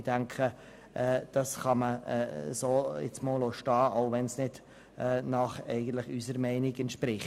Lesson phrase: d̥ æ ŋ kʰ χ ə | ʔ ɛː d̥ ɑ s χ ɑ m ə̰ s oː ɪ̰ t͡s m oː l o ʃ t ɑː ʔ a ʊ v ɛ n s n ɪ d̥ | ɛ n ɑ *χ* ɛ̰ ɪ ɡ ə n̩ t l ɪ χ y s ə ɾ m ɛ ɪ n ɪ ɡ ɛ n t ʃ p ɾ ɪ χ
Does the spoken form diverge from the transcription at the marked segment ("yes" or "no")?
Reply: no